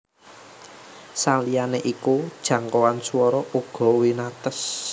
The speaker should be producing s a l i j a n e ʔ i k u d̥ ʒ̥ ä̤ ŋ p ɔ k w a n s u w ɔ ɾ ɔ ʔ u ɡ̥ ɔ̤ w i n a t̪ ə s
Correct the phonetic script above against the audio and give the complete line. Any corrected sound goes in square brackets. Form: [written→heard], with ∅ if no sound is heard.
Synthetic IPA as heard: s a l i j a n e ʔ i k u d̥ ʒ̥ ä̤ ŋ [p→k] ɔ [k→∅] w a n s u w ɔ ɾ ɔ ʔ u ɡ̥ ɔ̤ w i n a t̪ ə s